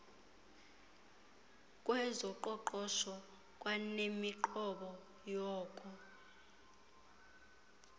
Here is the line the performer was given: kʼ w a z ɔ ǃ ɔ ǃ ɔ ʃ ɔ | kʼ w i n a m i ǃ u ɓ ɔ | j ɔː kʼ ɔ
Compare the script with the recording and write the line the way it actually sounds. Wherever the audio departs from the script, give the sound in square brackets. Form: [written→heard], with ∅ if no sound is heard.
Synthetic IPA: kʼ w [a→ɛ] z ɔ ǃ ɔ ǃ ɔ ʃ ɔ | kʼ w [i→a] n [a→e] m i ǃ [u→ɔ] ɓ ɔ | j ɔː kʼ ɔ